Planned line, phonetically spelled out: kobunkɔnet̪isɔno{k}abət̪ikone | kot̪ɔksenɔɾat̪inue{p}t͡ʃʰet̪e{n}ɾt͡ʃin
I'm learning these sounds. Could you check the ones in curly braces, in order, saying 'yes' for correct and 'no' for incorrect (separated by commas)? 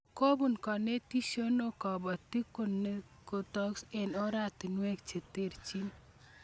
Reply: yes, no, no